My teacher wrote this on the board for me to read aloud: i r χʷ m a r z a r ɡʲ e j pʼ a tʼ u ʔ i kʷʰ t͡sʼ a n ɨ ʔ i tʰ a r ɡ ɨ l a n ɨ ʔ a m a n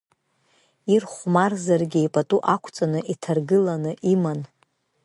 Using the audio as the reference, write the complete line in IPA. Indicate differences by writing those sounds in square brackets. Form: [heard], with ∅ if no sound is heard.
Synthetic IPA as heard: i r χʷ m a r z a r ɡʲ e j pʼ a tʼ u ʔ [a] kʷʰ t͡sʼ a n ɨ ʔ i tʰ a r ɡ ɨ l a n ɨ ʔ [i] m a n

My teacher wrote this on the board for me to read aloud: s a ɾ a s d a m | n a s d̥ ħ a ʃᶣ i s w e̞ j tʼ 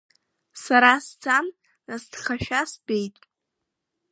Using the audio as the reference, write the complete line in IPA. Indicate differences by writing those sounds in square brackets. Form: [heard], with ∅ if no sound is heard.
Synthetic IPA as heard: s a ɾ a s [d͡z] a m | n a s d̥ [χ] a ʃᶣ [a] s [b] e̞ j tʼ

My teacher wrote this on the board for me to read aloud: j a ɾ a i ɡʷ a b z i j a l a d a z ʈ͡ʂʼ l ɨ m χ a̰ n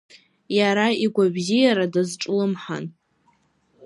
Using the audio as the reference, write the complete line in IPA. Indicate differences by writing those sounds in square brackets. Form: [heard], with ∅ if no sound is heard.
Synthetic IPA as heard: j a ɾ a i ɡʷ a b z i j a [ɾ] a d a z ʈ͡ʂʼ l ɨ m [ħ] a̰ n

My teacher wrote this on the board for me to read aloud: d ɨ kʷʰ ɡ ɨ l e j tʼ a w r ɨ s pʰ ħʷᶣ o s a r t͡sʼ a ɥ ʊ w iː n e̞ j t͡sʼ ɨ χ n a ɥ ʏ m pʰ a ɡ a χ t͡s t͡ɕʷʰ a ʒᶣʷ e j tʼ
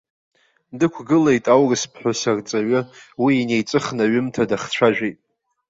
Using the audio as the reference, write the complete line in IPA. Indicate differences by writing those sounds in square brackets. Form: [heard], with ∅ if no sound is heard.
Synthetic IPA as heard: d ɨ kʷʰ ɡ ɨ l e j tʼ a w r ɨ s pʰ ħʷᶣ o s a r t͡sʼ a ɥ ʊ w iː n e̞ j t͡sʼ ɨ χ n a ɥ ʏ m [tʰ] a [d] a χ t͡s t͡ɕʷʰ a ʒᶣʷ e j tʼ

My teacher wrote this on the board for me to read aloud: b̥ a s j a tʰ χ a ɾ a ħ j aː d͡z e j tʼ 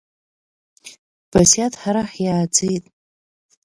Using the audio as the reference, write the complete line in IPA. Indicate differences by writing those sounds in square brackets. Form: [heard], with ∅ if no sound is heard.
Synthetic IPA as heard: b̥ a s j a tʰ [ħ] a ɾ a ħ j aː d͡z e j tʼ

